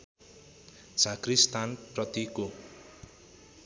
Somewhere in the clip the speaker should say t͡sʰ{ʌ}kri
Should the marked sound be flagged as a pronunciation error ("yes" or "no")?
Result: yes